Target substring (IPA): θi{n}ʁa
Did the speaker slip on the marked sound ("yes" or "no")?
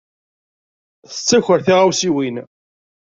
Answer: yes